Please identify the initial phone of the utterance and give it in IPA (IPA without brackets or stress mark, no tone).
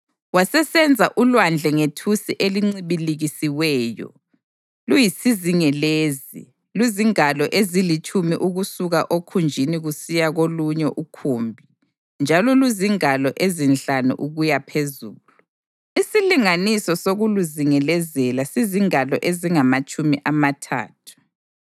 w